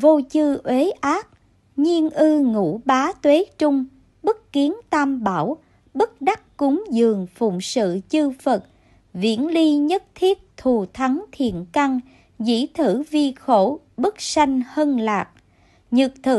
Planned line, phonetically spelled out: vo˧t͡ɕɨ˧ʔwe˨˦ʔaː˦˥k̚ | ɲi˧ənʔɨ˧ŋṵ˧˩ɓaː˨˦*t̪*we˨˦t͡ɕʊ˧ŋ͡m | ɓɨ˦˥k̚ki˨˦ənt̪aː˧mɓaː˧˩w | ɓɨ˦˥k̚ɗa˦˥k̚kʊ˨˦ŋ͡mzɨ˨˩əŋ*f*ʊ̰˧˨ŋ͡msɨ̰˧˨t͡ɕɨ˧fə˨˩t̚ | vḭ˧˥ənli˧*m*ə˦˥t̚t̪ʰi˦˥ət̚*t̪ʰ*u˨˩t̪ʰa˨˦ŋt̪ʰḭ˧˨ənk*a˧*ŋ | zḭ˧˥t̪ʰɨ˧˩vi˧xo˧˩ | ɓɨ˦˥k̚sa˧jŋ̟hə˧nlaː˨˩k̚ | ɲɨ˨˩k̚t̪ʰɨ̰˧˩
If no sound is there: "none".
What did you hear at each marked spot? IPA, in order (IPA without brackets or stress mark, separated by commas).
t̪, f, ɲ, t̪ʰ, a˧